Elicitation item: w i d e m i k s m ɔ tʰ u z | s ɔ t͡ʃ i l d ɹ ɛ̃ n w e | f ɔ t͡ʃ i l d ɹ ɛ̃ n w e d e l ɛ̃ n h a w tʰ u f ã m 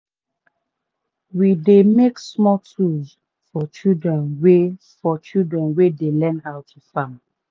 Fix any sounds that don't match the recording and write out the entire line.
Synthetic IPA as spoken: w i d e m e k s m ɔ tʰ u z | f ɔ t͡ʃ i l d ɹ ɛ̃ n w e | f ɔ t͡ʃ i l d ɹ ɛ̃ n w e d e l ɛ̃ n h a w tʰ u f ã m

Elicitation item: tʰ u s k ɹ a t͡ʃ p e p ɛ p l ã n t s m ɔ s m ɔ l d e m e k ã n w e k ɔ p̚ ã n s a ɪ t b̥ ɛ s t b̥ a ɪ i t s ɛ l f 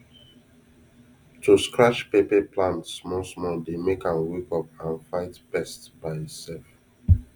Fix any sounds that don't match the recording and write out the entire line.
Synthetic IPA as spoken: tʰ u s k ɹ a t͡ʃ p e p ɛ p l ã n t s m ɔ s m ɔ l d e m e k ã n w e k ɔ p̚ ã n f a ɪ t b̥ ɛ s t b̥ a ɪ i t s ɛ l f

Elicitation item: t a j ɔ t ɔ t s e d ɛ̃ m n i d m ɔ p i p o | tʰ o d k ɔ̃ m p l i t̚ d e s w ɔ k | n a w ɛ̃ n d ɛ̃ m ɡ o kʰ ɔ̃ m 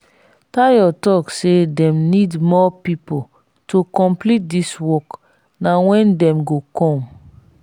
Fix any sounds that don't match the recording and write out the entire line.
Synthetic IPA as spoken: t a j ɔ t ɔ k s e d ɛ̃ m n i d m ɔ p i p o | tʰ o k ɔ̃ m p l i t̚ d i s w ɔ k | n a w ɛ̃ n d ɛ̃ m ɡ o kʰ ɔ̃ m

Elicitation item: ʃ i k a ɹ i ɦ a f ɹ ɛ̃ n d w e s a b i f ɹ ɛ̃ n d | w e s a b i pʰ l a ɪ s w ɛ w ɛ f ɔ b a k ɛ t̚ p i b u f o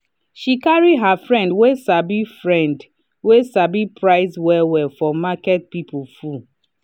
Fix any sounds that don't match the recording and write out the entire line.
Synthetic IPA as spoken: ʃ i k a ɹ i ɦ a f ɹ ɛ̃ n d w e s a b i f ɹ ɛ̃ n d | w e s a b i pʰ ɹ a ɪ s w ɛ w ɛ f ɔ m a k ɛ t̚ p i p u f u

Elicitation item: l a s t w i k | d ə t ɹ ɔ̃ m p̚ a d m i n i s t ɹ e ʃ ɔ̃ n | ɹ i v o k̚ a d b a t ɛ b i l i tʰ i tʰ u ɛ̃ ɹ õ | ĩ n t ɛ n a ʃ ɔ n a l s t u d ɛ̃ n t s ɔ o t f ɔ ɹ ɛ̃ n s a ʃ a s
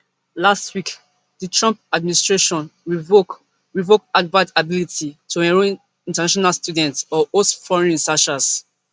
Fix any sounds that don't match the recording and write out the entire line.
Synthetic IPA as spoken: l a s t w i k | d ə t ɹ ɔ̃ m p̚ a d m i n i s t ɹ e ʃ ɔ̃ n | ɹ i v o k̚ a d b a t a b i l i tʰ i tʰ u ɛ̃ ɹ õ | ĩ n t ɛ n a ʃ ɔ n a l s t u d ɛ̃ n t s ɔ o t f ɔ ɹ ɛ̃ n s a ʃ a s

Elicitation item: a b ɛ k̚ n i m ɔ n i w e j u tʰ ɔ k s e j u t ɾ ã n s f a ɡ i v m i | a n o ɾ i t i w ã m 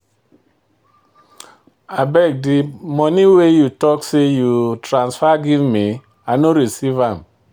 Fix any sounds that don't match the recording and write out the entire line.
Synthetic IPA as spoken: a b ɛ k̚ d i m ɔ n i w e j u t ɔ k s e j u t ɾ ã n s f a ɡ i v m i | a n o ɾ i s i v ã m

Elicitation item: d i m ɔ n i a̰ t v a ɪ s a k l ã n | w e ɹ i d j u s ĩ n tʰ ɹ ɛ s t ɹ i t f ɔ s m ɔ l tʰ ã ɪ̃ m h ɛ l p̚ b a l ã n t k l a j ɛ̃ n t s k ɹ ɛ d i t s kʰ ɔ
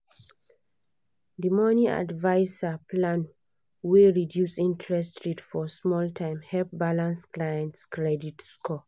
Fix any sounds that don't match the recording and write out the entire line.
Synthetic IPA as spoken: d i m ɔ n i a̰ d v a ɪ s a p l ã n | w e ɹ i d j u s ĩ n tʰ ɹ ɛ s t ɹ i t f ɔ s m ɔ l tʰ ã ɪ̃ m h ɛ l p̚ b a l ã n s k l a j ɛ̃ n t s k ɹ ɛ d i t s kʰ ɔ

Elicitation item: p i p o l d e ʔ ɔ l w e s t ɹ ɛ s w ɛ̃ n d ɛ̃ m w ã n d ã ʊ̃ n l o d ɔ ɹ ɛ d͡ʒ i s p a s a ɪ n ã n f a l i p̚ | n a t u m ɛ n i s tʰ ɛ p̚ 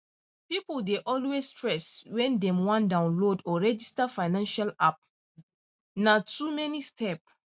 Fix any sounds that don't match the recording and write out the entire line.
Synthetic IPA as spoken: p i p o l d e ʔ ɔ l w e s t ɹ ɛ s w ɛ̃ n d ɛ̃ m w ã n d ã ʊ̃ n l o d ɔ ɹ ɛ d͡ʒ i s t a f a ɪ n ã n ʃ a l a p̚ | n a t u m ɛ n i s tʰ ɛ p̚

